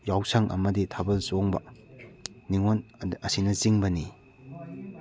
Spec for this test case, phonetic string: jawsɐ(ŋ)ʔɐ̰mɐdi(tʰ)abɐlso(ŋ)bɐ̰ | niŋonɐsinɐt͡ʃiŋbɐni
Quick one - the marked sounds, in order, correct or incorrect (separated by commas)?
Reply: correct, correct, correct